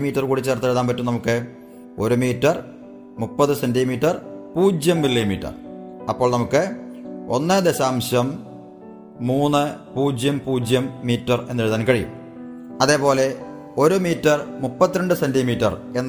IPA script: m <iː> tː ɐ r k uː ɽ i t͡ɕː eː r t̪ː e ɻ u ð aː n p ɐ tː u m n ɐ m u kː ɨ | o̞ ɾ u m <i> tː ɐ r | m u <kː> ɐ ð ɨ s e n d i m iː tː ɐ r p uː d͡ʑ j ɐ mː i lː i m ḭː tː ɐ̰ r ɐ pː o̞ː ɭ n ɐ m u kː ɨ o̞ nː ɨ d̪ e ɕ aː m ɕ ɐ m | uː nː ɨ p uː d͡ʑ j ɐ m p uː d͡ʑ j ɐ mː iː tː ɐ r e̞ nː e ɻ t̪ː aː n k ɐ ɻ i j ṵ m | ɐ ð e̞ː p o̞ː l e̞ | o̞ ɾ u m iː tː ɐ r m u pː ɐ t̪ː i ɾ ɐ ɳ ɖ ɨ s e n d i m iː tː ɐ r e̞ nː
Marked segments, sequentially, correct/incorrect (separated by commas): correct, incorrect, incorrect